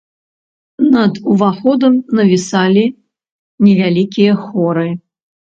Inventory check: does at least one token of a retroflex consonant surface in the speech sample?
no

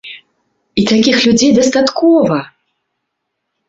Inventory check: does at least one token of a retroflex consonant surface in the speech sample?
no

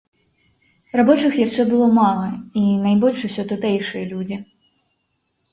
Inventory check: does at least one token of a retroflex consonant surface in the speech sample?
yes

